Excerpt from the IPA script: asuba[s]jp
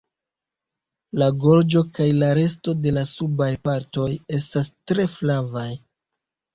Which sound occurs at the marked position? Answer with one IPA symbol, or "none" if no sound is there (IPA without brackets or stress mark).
none